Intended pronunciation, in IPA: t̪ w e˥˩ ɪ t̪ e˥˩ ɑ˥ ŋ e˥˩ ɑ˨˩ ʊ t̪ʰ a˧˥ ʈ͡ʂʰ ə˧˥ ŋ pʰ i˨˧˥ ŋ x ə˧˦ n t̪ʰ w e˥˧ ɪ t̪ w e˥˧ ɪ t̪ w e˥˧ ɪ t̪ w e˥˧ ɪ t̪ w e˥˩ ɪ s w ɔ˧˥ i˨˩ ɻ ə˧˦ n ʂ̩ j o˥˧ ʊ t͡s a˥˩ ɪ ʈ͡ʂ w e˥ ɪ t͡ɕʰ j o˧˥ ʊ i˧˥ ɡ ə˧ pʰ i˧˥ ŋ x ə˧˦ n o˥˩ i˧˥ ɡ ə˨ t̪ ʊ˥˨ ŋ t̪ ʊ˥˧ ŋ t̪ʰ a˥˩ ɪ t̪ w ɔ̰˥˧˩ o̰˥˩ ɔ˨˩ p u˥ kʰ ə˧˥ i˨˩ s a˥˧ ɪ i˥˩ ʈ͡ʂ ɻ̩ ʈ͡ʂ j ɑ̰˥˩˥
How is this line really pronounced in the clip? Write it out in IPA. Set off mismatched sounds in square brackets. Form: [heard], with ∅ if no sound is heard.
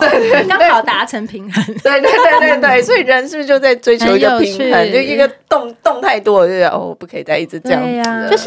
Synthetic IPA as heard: t̪ w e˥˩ ɪ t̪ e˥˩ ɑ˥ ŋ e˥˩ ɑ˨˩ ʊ [t̪] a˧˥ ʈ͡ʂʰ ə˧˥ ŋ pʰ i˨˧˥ ŋ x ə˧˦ n [t̪] w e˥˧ ɪ t̪ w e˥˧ ɪ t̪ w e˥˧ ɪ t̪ w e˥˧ ɪ t̪ w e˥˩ ɪ s w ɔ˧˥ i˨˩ ɻ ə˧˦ n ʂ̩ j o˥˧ ʊ t͡s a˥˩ ɪ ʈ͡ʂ w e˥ ɪ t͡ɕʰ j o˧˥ ʊ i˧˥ ɡ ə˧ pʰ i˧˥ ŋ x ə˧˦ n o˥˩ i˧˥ ɡ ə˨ t̪ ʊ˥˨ ŋ t̪ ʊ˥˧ ŋ t̪ʰ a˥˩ ɪ t̪ w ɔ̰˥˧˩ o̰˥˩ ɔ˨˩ p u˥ kʰ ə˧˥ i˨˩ [t͡s] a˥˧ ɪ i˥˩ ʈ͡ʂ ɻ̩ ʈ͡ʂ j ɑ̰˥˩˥